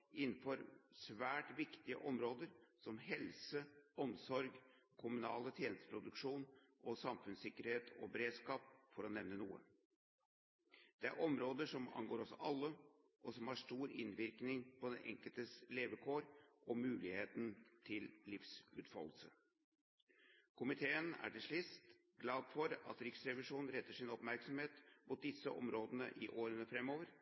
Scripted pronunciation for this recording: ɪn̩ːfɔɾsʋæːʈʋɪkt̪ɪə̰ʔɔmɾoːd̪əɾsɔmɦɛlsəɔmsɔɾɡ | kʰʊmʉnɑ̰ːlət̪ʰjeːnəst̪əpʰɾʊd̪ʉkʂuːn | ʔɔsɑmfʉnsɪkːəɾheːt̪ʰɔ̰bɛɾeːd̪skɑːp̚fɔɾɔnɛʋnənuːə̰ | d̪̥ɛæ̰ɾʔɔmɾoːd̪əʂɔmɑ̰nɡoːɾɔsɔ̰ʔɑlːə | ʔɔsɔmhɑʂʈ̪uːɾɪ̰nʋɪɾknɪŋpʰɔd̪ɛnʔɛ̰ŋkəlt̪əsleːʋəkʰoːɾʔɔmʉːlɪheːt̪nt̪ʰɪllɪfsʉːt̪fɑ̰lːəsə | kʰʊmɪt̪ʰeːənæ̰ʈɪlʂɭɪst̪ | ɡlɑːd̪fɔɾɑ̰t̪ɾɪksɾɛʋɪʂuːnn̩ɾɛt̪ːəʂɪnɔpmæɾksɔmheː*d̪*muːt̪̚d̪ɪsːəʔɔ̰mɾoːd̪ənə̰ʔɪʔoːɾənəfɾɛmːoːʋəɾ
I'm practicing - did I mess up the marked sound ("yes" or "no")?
yes